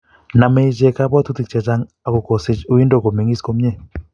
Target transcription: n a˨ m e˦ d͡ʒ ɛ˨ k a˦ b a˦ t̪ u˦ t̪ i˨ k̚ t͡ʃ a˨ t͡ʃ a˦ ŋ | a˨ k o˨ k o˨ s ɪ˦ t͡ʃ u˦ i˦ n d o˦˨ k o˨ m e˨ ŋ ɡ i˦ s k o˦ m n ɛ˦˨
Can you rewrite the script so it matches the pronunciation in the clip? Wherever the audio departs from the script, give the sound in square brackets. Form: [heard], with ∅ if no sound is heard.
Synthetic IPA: n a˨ m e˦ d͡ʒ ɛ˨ k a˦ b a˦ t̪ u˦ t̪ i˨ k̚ t͡ʃ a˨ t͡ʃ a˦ ŋ | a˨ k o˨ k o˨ s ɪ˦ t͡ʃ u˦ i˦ n d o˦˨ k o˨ m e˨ ŋ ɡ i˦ s k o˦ m [ɲ] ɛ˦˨